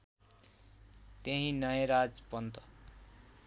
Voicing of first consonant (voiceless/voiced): voiceless